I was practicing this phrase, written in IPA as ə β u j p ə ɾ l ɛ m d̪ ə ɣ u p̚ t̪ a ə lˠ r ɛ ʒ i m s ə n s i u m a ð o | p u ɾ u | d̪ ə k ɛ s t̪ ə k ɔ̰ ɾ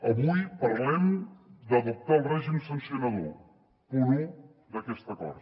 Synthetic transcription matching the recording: ə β u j p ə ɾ l ɛ m d̪ ə ð u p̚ t̪ a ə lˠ r ɛ ʒ i m s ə n s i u n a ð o | p u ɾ u | d̪ ə k ɛ s t̪ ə k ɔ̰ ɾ

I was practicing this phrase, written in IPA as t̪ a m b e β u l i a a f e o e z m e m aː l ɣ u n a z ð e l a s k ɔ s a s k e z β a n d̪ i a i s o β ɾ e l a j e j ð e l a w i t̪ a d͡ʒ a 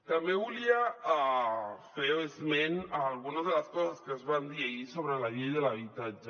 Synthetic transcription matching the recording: t̪ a m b e β u l i a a f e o e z m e n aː l ɣ u n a z ð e l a s k ɔ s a s k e z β a n d̪ i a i s o β ɾ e l a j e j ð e l a β i t̪ a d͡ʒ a

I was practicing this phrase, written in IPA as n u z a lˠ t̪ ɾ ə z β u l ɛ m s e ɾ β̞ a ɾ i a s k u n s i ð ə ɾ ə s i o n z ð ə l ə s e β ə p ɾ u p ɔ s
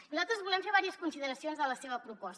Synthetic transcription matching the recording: n u z a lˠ t̪ ɾ ə z β u l ɛ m f e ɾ β̞ a ɾ i ə s k u n s i ð ə ɾ ə s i o n z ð ə l ə s e β ə p ɾ u p ɔ s

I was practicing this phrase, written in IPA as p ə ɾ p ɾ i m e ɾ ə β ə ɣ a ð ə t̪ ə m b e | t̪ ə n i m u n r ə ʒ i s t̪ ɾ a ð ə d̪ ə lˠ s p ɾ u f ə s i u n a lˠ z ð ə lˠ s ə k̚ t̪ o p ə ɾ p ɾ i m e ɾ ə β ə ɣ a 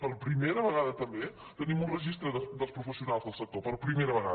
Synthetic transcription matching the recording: p ə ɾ p ɾ i m e ɾ ə β ə ɣ a ð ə t̪ ə m b e | t̪ ə n i m u n r ə ʒ i s t̪ ɾ ə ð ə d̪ ə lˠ s p ɾ u f ə s i u n a lˠ z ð ə lˠ s ə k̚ t̪ o p ə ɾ p ɾ i m e ɾ ə β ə ɣ a

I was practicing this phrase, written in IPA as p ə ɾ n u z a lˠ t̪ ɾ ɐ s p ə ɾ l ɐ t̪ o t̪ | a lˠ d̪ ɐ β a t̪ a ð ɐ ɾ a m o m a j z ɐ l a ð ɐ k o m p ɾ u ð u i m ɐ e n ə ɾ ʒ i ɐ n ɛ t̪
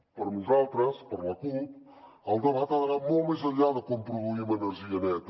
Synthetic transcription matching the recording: p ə ɾ n u z a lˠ t̪ ɾ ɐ s p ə ɾ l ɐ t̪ u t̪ | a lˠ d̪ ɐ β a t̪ a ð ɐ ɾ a m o m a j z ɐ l a ð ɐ k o m p ɾ u ð u i m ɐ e n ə ɾ ʒ i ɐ n ɛ t̪

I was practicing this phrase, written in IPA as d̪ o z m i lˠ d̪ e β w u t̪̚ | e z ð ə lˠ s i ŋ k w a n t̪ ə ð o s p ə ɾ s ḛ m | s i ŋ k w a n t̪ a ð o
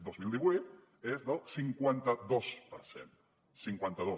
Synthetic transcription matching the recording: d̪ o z m i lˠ d̪ i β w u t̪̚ | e z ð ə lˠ s i ŋ k w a n t̪ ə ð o s p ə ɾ s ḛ n | s i ŋ k w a n t̪ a ð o

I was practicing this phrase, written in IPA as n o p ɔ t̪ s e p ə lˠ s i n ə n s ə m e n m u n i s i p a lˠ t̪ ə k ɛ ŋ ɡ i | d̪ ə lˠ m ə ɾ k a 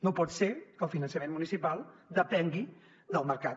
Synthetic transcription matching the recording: n o p ɔ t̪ s e k ə lˠ f i n ə n s ə m e n m u n i s i p a lˠ d̪ ə p ɛ ŋ ɡ i | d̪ ə lˠ m ə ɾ k a

